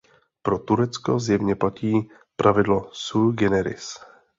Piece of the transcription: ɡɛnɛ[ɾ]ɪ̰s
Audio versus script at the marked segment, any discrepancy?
no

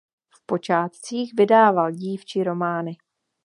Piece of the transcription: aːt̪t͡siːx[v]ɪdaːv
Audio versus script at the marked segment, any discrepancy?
no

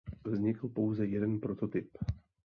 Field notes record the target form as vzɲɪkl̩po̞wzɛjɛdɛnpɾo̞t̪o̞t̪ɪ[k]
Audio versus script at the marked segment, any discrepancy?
yes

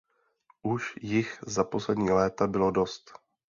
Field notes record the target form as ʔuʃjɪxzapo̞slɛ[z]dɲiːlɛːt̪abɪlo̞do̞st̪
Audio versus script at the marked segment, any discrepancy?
yes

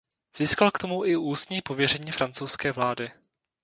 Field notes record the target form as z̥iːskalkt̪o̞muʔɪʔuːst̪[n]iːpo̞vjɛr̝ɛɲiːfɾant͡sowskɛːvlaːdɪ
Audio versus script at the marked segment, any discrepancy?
yes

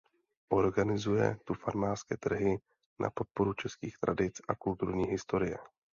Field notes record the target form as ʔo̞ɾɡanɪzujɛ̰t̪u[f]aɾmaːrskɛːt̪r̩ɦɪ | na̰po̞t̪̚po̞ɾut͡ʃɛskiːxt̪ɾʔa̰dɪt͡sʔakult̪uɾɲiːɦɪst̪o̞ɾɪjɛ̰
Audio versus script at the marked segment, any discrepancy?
no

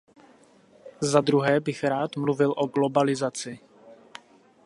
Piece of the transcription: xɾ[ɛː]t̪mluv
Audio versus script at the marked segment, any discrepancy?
yes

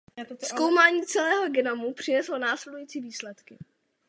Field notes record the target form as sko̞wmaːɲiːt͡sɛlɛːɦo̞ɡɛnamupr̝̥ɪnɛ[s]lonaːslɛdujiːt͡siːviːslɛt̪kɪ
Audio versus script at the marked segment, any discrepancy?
no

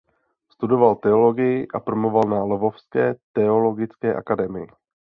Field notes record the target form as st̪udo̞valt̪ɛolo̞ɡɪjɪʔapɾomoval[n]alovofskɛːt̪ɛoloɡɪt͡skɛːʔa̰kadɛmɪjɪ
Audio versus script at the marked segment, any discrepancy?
no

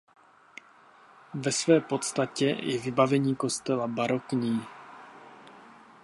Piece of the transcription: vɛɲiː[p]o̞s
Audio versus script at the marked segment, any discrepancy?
yes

